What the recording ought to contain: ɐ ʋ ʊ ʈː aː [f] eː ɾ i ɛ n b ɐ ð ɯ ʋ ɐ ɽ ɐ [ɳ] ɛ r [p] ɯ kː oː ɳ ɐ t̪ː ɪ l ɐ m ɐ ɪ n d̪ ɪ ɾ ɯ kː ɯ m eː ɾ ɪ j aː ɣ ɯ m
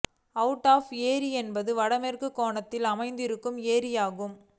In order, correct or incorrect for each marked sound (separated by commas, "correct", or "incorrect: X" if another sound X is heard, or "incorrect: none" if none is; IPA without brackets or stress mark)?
correct, incorrect: m, incorrect: k